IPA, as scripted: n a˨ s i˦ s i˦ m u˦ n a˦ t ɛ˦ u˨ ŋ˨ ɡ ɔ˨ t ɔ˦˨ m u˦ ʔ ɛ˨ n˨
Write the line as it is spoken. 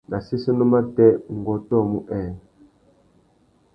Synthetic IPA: n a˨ s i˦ s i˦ n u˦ m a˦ t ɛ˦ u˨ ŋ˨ ɡ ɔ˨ t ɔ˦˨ m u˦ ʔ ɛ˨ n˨